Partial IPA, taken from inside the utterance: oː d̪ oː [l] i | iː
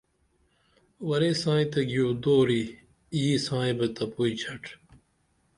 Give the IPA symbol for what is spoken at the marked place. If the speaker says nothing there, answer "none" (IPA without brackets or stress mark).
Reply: ɾ